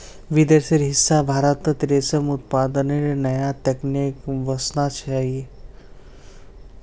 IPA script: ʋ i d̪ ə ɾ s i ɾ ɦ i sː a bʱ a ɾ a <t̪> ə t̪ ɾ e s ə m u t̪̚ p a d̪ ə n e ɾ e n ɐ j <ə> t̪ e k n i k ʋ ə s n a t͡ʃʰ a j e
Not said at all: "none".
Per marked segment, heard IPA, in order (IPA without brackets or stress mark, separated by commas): t̪, a